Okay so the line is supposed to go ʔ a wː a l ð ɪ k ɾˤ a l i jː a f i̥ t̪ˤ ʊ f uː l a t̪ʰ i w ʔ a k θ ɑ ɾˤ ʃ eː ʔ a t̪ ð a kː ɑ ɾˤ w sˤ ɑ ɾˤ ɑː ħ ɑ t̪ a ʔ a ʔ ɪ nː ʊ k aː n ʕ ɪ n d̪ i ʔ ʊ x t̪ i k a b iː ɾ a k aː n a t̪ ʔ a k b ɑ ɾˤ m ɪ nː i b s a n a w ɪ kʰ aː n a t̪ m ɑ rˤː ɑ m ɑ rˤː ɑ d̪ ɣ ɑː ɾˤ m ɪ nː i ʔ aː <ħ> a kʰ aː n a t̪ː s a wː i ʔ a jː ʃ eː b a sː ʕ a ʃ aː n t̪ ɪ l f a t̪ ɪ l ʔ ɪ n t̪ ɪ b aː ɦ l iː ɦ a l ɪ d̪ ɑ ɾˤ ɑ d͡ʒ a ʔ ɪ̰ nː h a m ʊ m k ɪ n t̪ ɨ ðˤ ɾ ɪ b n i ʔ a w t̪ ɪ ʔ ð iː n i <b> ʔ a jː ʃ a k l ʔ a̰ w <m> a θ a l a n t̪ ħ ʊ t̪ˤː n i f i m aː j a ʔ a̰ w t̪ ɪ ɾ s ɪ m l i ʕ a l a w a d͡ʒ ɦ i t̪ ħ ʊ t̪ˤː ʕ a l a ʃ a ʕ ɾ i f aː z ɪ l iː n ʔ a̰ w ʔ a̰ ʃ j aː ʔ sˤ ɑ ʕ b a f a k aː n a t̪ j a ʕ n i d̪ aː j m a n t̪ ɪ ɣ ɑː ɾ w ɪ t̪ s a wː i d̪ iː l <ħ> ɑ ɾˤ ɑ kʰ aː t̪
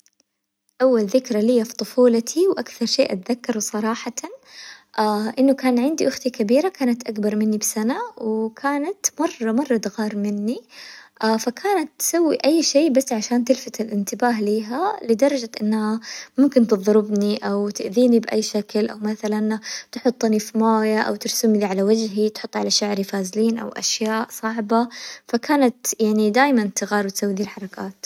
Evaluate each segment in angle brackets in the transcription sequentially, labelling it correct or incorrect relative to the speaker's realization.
incorrect: f, correct, correct, correct

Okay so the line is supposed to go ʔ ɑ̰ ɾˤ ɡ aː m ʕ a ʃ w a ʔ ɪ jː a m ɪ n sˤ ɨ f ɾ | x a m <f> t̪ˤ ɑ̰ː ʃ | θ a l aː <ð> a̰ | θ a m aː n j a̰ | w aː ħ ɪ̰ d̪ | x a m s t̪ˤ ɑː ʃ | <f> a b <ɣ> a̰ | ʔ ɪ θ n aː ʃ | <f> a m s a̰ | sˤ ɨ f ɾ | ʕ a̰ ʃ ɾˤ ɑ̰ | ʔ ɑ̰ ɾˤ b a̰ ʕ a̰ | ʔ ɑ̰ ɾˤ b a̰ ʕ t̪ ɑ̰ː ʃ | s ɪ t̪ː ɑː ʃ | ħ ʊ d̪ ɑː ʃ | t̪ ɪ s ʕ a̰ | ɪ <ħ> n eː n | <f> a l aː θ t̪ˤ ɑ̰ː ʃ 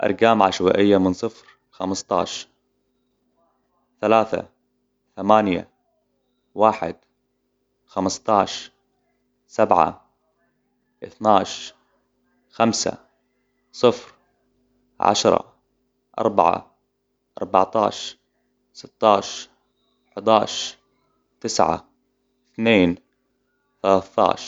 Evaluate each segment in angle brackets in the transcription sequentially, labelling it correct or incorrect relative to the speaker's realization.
incorrect: s, incorrect: θ, incorrect: s, incorrect: ʕ, incorrect: x, incorrect: θ, incorrect: θ

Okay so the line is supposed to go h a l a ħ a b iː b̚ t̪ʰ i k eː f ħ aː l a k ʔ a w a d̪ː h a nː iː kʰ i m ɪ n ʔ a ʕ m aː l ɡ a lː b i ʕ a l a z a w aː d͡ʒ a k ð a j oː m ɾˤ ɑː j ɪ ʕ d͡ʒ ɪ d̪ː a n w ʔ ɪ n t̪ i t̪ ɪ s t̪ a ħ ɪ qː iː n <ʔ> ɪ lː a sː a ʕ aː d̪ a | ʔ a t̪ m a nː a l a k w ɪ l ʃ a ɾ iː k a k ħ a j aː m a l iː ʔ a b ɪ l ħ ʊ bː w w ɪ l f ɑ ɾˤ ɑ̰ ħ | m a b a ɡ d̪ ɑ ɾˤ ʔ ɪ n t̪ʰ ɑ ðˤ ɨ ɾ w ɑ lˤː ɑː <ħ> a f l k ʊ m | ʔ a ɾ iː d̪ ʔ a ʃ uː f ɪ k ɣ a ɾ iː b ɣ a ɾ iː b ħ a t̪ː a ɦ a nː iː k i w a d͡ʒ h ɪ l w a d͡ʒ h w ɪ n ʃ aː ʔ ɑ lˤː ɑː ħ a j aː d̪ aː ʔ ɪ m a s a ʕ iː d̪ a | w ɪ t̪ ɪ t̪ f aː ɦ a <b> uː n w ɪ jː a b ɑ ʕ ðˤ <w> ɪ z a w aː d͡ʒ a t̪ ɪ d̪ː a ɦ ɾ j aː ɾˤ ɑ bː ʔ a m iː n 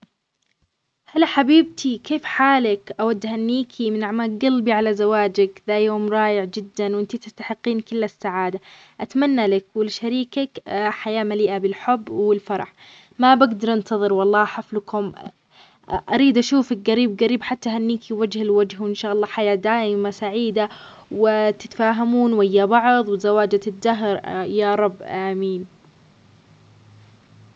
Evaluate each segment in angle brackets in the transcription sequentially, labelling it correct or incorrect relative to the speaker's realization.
incorrect: k, correct, incorrect: m, correct

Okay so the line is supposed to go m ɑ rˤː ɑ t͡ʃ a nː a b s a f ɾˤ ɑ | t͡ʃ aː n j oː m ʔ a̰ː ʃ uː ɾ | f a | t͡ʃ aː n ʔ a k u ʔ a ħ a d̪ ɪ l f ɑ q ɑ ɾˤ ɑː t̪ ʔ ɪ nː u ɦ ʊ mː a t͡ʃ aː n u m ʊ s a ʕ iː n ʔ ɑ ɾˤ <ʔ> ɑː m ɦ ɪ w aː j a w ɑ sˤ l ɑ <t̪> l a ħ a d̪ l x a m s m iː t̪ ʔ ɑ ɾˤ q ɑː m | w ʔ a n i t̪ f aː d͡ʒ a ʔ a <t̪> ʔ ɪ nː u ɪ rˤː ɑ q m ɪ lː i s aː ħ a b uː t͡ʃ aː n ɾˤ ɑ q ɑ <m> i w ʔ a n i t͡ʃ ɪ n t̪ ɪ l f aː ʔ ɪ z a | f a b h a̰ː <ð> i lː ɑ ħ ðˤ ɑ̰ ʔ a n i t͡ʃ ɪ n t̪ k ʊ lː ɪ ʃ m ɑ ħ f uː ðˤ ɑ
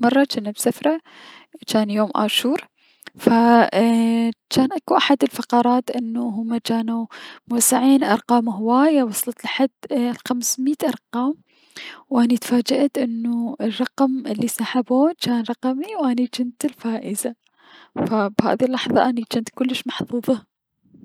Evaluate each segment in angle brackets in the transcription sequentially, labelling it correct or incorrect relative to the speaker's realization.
incorrect: q, correct, correct, correct, correct

